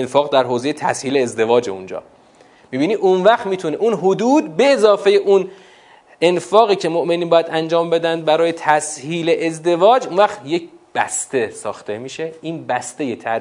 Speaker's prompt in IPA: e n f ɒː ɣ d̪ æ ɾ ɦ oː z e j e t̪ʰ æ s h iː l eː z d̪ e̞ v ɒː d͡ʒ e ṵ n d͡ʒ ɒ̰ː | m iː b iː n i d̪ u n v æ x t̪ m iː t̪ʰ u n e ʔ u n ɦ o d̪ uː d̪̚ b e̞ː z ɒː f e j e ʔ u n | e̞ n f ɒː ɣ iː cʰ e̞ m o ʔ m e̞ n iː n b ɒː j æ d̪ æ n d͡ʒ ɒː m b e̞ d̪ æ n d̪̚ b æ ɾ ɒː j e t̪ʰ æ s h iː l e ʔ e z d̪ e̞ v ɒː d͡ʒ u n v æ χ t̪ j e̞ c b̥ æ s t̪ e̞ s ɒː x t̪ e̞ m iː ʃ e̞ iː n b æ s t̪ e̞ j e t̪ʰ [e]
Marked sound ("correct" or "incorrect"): incorrect